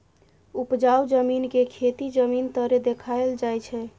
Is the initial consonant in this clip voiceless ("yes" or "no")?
yes